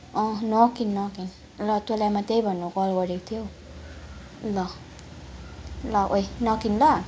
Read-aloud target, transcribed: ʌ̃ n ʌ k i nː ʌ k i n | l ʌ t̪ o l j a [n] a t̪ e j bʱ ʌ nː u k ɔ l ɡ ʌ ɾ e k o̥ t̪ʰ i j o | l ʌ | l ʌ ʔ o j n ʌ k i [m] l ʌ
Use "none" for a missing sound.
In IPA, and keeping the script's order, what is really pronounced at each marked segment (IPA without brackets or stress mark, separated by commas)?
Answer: m, n